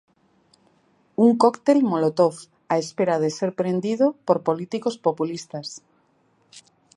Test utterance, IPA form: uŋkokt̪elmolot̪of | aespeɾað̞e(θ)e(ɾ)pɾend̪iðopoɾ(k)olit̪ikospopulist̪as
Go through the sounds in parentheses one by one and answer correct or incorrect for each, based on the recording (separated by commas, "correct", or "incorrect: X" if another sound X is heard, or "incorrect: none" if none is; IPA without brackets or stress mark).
incorrect: s, correct, incorrect: p